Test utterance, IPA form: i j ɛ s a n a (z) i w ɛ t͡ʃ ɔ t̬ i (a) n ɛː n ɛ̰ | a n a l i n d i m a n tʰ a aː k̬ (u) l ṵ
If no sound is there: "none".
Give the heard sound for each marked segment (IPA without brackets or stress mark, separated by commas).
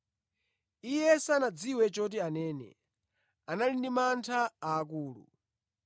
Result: d͡z, a, uː